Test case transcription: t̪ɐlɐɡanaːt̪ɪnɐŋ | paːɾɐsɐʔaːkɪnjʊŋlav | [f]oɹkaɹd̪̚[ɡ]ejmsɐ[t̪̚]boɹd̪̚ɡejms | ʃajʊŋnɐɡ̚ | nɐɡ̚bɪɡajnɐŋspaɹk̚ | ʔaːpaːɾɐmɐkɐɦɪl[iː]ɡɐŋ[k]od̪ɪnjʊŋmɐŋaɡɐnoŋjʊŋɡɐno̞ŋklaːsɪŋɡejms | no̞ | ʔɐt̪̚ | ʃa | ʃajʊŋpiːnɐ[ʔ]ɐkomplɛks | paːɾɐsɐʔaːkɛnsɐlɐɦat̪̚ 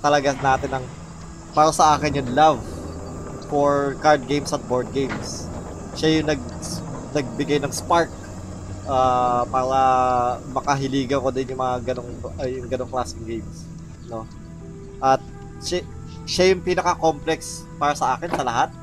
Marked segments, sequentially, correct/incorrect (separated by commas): correct, correct, correct, correct, correct, incorrect